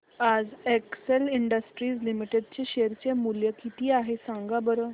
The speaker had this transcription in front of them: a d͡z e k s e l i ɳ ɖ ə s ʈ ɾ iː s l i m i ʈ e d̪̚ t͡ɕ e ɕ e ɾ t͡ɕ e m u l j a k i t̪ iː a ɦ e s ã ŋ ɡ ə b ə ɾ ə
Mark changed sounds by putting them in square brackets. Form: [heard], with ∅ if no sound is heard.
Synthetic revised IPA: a d͡z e k s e l i ɳ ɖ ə s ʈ ɾ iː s l i m i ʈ e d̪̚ t͡ɕ e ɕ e ɾ t͡ɕ e m u l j [ə] k i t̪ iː a ɦ e s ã ŋ ɡ [a] b ə ɾ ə